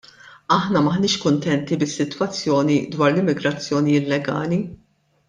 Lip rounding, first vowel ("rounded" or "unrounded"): unrounded